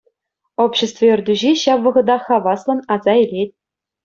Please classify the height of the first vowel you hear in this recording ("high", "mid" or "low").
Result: mid